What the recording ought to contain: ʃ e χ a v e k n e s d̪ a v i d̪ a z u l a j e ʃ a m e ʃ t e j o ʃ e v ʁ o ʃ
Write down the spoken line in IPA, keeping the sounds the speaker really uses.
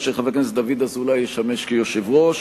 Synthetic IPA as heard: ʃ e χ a v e k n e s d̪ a v i d̪ a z u l a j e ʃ a m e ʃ k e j o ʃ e v ʁ o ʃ